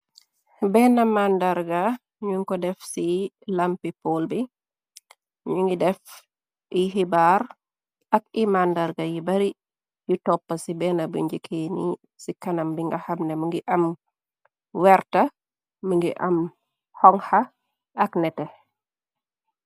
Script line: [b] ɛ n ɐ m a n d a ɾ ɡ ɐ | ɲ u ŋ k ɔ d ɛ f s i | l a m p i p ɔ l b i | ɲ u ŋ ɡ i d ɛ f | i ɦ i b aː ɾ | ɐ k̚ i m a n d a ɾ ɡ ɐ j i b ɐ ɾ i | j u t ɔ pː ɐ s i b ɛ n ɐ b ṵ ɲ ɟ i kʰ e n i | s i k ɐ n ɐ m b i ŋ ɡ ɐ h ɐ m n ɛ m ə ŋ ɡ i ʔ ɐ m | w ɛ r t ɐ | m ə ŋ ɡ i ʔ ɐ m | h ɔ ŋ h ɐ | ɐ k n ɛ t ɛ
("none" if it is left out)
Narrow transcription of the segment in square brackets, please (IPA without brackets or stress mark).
b